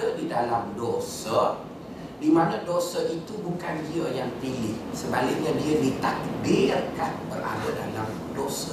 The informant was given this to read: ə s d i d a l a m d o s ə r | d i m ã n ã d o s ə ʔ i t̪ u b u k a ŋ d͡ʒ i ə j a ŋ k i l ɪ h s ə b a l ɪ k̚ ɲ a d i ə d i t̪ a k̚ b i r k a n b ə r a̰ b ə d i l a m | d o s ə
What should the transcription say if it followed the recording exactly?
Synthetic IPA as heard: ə d i d a l a m d o s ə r | d i m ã n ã d o s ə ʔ i t̪ u b u k a n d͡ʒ i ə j a ŋ p i l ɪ h s ə b a l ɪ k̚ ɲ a d i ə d i t̪ a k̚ b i r k a n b ə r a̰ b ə d a l a m | d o s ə